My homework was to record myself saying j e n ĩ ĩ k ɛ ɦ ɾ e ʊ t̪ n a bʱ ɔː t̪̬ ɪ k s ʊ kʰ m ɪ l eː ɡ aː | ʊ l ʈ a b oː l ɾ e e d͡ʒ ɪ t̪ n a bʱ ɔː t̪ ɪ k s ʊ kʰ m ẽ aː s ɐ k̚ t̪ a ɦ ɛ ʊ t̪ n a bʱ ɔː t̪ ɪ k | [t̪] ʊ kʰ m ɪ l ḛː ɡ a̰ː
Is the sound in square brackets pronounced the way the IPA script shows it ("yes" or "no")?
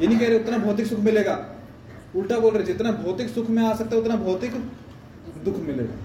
no